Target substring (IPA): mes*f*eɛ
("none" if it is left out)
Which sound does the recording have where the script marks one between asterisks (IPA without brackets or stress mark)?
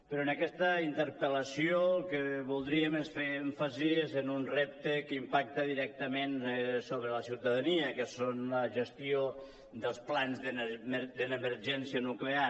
f